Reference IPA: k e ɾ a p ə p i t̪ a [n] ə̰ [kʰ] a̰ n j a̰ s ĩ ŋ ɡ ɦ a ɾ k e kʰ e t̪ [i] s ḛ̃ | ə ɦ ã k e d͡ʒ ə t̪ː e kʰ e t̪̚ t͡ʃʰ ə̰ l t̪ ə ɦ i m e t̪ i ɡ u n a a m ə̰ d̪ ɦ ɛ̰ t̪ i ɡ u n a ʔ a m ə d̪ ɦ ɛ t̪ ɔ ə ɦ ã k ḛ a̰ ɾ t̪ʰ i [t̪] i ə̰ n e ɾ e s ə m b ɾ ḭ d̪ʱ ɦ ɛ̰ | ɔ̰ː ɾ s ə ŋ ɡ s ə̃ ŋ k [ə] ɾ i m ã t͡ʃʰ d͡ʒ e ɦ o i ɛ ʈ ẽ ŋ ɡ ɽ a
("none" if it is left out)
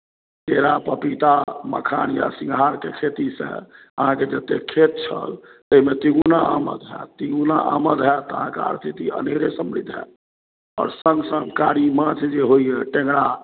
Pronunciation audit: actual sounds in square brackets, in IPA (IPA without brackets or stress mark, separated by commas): m, kʰ, i, t̪, a